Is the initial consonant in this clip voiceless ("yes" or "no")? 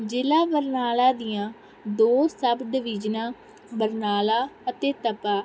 no